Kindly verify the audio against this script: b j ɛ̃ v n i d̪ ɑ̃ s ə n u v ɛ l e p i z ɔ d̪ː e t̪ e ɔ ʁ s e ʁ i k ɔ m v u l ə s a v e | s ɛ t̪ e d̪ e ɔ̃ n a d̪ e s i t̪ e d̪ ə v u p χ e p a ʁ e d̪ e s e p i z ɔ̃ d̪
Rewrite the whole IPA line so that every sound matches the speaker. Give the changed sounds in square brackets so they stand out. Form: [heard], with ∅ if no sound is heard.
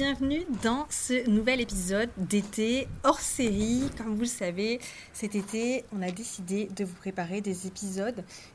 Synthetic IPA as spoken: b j ɛ̃ v n [y] d̪ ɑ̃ s ə n u v ɛ l e p i z ɔ d̪ː e t̪ e ɔ ʁ s e ʁ i k ɔ m v u l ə s a v e | s ɛ t̪ e [t̪] e ɔ̃ n a d̪ e s i [d̪] e d̪ ə v u p χ e p a ʁ e d̪ e [z] e p i z [ɔ] d̪